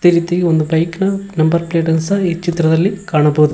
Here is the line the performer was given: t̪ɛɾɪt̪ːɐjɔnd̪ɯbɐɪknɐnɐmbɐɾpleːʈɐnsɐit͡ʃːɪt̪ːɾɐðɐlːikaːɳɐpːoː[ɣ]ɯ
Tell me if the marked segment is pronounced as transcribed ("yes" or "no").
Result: no